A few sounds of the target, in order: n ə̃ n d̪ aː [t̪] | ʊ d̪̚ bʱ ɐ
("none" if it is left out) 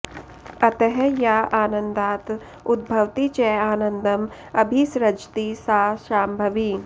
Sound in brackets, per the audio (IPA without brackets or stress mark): t̪